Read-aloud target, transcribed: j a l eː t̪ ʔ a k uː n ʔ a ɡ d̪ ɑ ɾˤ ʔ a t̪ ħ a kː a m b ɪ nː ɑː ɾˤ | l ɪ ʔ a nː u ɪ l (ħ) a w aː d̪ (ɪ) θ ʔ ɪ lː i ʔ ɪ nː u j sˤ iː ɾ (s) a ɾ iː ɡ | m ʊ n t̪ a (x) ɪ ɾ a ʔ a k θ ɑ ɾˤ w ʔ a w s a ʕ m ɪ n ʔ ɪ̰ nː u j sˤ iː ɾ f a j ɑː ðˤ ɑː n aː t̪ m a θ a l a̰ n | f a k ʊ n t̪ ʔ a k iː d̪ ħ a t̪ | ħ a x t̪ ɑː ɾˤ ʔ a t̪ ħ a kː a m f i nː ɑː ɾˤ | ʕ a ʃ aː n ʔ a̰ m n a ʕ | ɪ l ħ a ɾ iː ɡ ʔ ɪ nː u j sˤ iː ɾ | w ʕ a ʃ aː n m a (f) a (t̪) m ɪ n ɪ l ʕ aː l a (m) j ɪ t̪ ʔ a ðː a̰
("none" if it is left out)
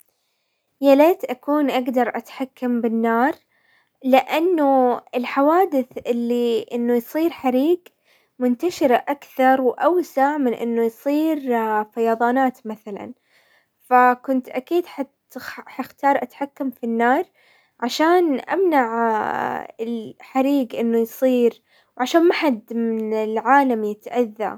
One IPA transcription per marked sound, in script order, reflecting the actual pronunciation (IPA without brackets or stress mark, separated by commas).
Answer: ħ, ɪ, ħ, ʃ, ħ, d̪, m